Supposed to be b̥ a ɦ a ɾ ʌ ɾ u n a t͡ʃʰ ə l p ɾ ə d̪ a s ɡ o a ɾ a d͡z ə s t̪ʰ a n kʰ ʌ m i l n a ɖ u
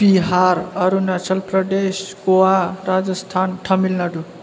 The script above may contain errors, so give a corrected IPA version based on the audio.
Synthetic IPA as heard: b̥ i ɦ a ɾ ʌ ɾ u n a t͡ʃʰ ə l p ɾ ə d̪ e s ɡ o a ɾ a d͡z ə s t̪ʰ a n ʈʰ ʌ m i l n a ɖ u